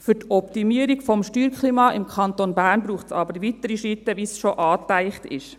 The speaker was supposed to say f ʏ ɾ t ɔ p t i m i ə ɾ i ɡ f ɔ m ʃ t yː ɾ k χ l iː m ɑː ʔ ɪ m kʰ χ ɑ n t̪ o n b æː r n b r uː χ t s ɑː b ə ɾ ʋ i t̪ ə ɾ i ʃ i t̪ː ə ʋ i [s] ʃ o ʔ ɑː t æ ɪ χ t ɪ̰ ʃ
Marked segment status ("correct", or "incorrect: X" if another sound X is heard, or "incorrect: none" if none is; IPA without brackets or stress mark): correct